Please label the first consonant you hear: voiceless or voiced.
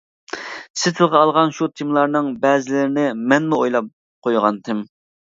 voiceless